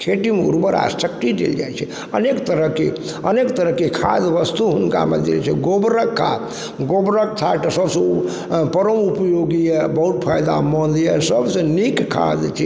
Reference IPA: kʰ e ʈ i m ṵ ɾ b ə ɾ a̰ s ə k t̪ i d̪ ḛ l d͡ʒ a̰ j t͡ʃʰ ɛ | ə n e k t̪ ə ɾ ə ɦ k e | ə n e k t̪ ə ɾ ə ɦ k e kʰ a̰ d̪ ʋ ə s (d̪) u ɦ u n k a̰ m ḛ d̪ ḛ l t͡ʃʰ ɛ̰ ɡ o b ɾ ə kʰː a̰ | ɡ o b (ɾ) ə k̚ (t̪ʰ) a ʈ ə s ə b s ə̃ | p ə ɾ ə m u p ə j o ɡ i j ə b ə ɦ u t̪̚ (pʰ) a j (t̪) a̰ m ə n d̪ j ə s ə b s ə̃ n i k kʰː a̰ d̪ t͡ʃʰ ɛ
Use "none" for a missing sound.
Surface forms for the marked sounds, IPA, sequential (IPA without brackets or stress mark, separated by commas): t̪, ɾ, t̪ʰ, pʰ, d̪